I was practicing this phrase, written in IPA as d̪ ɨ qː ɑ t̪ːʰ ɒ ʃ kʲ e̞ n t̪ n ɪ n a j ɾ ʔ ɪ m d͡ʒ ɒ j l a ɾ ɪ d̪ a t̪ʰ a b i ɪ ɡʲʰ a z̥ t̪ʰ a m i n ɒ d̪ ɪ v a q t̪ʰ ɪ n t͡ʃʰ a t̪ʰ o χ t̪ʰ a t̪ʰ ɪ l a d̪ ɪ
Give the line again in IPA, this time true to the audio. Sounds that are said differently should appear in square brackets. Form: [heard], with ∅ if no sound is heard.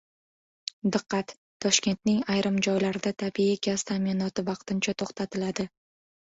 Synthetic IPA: d̪ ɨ qː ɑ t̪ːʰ ɒ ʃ kʲ e̞ n t̪ n ɪ [ŋ] a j ɾ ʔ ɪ m d͡ʒ ɒ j l a ɾ ɪ d̪ a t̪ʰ a b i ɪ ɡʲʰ a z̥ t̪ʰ a m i n ɒ [t̪] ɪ v [ɑ] q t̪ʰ ɪ n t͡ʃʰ a t̪ʰ o χ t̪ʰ a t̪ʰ ɪ l a d̪ ɪ